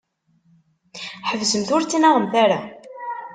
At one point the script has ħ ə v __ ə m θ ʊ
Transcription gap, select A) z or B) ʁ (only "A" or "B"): A